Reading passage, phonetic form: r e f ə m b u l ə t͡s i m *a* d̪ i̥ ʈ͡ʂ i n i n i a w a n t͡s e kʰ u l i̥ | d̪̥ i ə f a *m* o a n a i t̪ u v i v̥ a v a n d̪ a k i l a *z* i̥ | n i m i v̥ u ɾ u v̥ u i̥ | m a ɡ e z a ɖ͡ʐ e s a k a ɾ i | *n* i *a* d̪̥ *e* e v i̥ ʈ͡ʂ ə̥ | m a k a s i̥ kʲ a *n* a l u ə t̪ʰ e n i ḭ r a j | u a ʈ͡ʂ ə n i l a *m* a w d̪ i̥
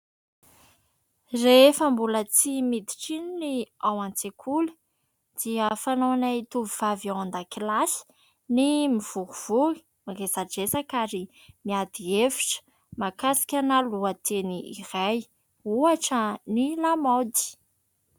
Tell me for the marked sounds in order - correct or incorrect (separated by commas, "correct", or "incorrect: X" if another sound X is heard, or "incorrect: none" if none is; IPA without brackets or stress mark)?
incorrect: i, incorrect: n, incorrect: s, incorrect: m, correct, incorrect: i, correct, correct